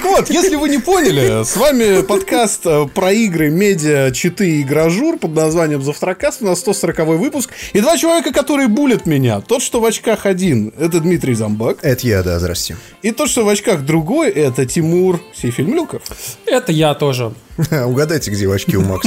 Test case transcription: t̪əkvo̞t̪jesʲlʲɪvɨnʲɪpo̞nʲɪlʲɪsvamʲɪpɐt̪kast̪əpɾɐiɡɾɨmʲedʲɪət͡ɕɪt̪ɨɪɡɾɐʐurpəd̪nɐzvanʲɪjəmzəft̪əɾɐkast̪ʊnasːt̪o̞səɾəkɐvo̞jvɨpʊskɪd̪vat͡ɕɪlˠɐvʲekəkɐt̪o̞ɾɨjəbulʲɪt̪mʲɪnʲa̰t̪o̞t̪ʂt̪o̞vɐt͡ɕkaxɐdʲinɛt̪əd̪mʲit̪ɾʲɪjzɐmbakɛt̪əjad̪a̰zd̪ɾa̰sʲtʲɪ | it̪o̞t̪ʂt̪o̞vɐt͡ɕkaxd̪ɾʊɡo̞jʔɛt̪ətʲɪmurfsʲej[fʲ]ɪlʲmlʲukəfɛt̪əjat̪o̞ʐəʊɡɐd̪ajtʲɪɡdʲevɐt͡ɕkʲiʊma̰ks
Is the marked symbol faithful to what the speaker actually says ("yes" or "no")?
yes